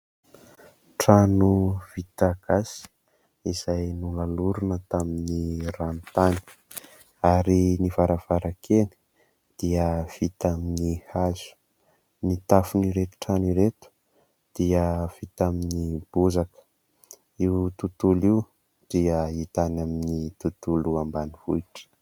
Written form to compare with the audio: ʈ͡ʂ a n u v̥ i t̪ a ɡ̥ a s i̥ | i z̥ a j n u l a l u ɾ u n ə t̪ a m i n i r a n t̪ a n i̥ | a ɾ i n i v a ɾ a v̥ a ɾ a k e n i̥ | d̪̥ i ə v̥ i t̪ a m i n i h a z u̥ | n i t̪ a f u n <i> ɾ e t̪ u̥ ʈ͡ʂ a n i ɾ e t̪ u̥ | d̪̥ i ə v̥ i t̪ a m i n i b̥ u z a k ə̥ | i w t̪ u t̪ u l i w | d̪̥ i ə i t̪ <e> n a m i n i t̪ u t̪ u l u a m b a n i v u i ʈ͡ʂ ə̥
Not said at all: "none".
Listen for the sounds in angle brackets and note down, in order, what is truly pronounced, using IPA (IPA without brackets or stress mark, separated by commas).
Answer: i, a